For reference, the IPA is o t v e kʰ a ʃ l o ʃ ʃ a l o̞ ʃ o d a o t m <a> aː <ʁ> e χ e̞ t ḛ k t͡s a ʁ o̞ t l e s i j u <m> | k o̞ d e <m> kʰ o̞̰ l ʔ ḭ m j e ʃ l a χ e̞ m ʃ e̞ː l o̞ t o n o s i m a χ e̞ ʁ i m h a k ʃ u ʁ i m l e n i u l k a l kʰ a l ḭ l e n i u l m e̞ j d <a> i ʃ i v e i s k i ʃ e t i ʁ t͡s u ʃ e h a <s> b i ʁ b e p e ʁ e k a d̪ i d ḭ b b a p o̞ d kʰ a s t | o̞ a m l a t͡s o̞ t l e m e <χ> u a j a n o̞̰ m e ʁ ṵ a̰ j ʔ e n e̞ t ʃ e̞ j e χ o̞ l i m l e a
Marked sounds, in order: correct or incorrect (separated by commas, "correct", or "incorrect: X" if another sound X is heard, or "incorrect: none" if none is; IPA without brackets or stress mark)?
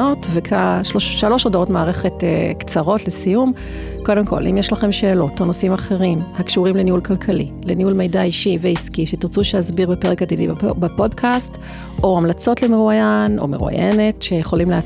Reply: correct, correct, correct, correct, correct, incorrect: z, incorrect: ʁ